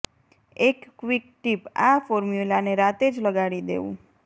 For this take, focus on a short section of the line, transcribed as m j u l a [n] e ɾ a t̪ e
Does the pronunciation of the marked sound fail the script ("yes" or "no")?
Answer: no